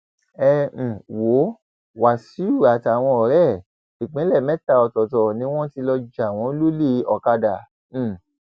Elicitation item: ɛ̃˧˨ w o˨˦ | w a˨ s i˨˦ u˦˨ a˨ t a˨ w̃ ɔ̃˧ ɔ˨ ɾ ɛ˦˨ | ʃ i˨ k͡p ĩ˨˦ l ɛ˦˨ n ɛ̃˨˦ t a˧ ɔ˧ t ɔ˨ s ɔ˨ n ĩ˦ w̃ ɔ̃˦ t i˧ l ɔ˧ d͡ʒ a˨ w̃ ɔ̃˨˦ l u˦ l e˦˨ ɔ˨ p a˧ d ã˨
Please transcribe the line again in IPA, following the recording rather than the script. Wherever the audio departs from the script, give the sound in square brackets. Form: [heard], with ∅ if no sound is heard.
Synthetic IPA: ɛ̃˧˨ w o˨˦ | w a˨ s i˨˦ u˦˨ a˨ t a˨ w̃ ɔ̃˧ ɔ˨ ɾ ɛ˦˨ | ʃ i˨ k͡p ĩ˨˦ l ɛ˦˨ [m] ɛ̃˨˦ t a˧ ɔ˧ t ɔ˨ [t] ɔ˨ n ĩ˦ w̃ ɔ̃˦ t i˧ l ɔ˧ d͡ʒ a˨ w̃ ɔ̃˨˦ l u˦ l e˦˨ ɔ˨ [k] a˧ d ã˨